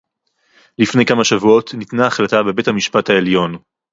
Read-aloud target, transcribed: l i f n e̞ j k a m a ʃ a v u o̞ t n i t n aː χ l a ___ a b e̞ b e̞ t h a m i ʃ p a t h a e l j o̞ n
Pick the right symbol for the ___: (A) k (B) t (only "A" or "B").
B